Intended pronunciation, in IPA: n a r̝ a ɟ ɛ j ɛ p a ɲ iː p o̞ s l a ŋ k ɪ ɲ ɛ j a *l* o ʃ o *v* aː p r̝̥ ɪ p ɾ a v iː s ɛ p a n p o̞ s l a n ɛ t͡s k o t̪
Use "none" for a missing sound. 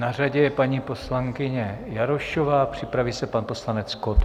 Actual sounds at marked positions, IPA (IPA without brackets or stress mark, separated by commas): ɾ, v